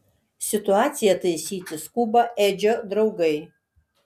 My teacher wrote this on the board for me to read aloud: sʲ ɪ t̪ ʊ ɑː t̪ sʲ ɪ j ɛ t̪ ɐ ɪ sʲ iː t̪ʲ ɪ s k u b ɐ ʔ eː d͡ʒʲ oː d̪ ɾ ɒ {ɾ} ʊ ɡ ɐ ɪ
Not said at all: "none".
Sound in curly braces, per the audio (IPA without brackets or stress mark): none